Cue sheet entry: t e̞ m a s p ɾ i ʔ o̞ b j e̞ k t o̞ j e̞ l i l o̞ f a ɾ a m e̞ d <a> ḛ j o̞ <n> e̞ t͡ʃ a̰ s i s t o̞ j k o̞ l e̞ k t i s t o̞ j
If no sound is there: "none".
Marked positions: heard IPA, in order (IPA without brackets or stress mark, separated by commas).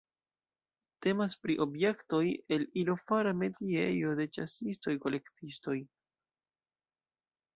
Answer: i, d